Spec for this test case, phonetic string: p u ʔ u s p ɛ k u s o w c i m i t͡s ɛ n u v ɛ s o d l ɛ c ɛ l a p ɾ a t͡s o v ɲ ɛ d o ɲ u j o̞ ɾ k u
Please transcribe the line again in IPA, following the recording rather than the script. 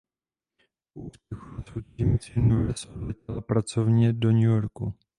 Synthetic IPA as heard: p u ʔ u s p ɛ x u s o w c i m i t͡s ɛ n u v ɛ s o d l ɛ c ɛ l a p ɾ a t͡s o v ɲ ɛ d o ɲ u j o̞ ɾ k u

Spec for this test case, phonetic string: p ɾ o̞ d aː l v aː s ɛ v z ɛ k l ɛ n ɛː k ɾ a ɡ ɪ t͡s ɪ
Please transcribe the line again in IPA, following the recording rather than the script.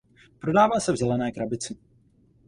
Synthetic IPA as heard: p ɾ o̞ d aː v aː s ɛ v z ɛ l ɛ n ɛː k ɾ a b ɪ t͡s ɪ

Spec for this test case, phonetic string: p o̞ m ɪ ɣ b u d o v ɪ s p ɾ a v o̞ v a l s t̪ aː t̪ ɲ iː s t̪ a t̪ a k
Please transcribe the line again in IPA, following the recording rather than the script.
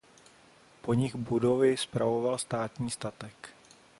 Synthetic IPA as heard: p o̞ ɲ ɪ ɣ b u d o v ɪ s p ɾ a v o̞ v a l s t̪ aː t̪ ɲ iː s t̪ a t̪ ɛ k

